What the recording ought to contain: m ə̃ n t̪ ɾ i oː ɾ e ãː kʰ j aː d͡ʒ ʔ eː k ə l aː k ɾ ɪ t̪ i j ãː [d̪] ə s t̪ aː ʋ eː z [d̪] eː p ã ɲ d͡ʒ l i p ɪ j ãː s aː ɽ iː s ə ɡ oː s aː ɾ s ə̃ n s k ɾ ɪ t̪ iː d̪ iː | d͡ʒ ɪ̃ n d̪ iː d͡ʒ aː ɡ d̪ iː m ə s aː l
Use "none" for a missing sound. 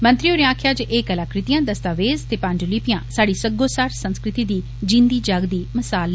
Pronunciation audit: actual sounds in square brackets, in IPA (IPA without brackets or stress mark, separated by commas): d̪, t̪